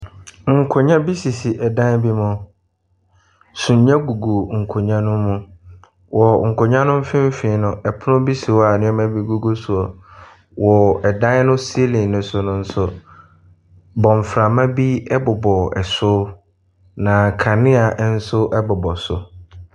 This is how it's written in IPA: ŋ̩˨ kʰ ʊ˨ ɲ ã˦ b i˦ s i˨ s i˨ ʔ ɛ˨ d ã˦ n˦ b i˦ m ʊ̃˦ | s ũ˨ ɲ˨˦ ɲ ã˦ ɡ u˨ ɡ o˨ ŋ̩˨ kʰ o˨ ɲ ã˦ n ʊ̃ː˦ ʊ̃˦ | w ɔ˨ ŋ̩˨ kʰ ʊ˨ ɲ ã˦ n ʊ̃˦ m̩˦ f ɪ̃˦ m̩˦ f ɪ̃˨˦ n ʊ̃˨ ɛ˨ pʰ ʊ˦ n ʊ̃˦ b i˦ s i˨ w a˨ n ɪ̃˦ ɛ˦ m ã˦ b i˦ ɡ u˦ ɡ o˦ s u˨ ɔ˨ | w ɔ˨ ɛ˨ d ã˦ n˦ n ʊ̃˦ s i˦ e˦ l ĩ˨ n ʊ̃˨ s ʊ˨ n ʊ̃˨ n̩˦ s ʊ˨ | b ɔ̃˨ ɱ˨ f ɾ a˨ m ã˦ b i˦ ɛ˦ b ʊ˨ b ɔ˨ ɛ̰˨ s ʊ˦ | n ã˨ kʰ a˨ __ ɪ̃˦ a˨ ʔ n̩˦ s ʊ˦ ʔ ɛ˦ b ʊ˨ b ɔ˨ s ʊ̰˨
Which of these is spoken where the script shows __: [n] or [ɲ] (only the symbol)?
n